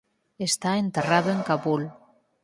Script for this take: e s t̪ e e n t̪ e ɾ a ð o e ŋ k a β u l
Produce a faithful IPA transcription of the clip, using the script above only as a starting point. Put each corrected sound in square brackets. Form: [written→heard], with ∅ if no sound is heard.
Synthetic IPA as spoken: e s t̪ [e→a] e n t̪ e [ɾ→r] a ð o e ŋ k a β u l

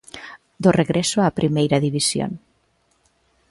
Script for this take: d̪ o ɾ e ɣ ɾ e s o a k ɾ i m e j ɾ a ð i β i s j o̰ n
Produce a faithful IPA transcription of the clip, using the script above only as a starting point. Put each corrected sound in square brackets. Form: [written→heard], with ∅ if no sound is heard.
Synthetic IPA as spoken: d̪ o [ɾ→r] e ɣ ɾ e s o a [k→p] ɾ i m e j ɾ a ð i β i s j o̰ n

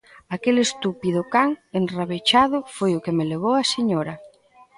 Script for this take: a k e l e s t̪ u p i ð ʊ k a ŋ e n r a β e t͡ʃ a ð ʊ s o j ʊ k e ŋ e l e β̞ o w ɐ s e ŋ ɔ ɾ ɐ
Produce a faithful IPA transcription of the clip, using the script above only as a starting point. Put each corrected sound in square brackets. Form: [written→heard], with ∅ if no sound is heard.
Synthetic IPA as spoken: a k e l e s t̪ u p i ð ʊ k a ŋ e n r a β e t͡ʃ a ð ʊ [s→f] o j ʊ k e [ŋ→m] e l e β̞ o w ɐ s e [ŋ→ɲ] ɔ ɾ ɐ

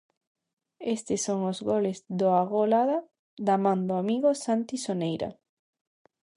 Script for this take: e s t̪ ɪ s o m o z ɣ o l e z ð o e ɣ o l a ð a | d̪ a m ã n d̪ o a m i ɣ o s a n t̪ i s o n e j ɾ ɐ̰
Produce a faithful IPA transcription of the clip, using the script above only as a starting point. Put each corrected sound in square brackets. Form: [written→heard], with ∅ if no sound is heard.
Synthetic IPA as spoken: e s t̪ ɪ s o [m→ŋ] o z ɣ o l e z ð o [e→a] ɣ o l a ð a | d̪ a m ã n d̪ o a m i ɣ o s a n t̪ i s o n e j ɾ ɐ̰

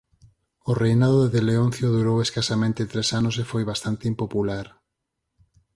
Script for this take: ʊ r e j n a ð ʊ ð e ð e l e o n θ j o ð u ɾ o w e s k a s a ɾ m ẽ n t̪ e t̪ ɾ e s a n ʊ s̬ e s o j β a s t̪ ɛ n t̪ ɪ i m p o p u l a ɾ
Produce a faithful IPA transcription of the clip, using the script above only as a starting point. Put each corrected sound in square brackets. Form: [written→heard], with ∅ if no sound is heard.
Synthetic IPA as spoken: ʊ r e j n a ð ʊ ð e ð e l e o n θ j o ð u ɾ o w e s k a s a [ɾ→∅] m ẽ n t̪ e t̪ ɾ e s a n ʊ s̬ e [s→f] o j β a s t̪ [ɛ→a] n t̪ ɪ i m p o p u l a ɾ

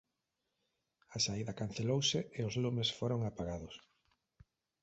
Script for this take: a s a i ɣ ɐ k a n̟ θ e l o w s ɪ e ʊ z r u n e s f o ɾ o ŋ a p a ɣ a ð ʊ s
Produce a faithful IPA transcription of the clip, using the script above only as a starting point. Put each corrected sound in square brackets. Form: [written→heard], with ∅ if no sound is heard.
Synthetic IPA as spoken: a s a i [ɣ→ð] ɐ k a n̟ θ e l o w s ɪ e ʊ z [r→l] u [n→m] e s f o ɾ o ŋ a p a ɣ a ð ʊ s

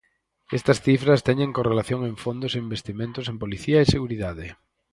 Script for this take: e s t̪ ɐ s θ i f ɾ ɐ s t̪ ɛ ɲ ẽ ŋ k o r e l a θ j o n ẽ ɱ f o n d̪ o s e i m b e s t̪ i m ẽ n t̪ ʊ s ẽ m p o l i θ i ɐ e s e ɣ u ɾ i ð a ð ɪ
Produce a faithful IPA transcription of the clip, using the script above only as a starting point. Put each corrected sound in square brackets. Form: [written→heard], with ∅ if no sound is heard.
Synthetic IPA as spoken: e s t̪ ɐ s θ i f ɾ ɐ s t̪ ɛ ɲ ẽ ŋ k o r e l a θ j o [n→ŋ] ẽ ɱ f o n d̪ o s e i m b e s t̪ i m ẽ n t̪ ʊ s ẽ m p o l i θ i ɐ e s e ɣ u ɾ i ð a ð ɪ

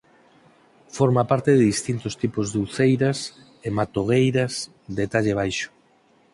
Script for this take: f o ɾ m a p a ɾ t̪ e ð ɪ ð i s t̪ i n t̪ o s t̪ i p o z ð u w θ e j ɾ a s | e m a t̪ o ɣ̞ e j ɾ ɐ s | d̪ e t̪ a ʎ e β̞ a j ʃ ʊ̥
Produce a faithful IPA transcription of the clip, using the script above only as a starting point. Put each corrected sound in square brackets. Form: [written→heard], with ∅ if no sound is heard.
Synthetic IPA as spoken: f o ɾ m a p a ɾ t̪ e ð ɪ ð i s t̪ i n t̪ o s t̪ i p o z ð u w θ e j ɾ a s | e m a t̪ o ɣ̞ e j ɾ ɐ s | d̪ e t̪ a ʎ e β̞ a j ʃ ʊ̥

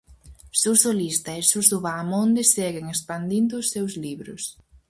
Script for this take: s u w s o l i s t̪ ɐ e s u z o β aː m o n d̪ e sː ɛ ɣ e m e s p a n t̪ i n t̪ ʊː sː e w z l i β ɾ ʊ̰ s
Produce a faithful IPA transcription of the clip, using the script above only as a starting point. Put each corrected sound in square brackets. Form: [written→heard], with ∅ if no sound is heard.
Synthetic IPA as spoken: s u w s o l i s t̪ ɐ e s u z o β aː m o n d̪ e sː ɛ ɣ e [m→ŋ] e s p a n [t̪→d̪] i n [t̪→d̪] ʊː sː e w z l i β ɾ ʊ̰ s

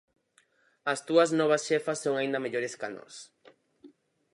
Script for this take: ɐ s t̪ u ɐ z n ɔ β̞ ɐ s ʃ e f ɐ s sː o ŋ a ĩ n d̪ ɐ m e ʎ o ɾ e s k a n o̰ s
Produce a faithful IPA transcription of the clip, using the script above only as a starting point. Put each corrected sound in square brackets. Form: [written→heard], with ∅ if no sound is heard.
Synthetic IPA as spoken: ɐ s t̪ u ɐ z n ɔ β̞ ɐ s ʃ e f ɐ s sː o ŋ a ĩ n d̪ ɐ m e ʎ o ɾ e s k a n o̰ s

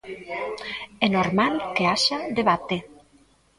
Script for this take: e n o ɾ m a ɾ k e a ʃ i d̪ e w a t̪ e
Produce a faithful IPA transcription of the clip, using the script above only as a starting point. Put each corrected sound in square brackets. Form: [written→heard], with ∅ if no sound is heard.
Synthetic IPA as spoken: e n o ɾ m a [ɾ→l] k e a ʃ [i→a] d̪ e [w→β] a t̪ e

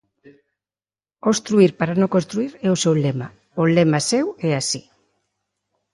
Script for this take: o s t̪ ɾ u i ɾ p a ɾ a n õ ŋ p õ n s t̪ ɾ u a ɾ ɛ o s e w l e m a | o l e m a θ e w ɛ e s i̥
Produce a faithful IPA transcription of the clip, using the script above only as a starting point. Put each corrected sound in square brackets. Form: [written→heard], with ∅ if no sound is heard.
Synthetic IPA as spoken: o s t̪ ɾ u i ɾ p a ɾ a n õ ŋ [p→k] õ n s t̪ ɾ u [a→i] ɾ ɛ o s e w l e m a | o l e m a [θ→s] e w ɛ [e→a] s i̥

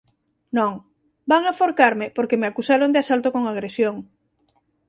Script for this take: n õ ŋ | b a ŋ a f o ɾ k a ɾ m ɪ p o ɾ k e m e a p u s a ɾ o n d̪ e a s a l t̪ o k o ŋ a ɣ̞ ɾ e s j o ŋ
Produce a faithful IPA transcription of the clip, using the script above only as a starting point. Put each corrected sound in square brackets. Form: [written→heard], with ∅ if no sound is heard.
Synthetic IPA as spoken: n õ ŋ | b a ŋ a f o ɾ k a ɾ m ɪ p o ɾ k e m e a [p→k] u s a ɾ o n d̪ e a s a l t̪ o k o ŋ a ɣ̞ ɾ e s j o ŋ

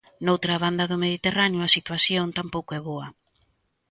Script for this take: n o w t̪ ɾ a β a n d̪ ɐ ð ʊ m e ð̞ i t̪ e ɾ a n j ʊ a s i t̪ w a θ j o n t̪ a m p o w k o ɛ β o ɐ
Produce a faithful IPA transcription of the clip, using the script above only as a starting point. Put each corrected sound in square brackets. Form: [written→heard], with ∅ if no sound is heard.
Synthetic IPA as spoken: n o w t̪ ɾ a β a n d̪ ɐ ð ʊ m e ð̞ i t̪ e [ɾ→r] a n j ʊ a s i t̪ w a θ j o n t̪ a m p o w k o ɛ β o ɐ

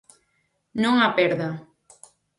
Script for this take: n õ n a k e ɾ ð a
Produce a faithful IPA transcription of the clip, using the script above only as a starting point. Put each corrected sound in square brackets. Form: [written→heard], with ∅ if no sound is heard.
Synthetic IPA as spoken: n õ [n→ŋ] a [k→p] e ɾ ð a

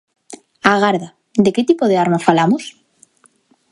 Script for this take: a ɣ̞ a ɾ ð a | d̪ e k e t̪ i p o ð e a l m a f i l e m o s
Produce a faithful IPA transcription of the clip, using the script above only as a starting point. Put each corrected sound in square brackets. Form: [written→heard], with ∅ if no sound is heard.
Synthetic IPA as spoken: a ɣ̞ a ɾ ð a | d̪ e k e t̪ i p o ð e a [l→ɾ] m a f [i→a] l [e→a] m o s

